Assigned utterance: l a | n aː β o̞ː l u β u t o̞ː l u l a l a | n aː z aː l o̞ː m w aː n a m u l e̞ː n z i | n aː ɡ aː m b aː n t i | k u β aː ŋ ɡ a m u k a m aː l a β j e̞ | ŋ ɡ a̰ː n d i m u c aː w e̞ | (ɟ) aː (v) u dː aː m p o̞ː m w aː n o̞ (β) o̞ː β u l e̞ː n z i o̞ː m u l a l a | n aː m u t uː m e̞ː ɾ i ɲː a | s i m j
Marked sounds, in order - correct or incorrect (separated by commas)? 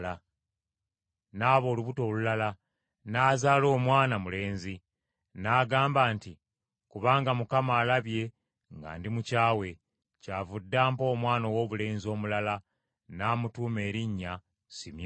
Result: incorrect, correct, incorrect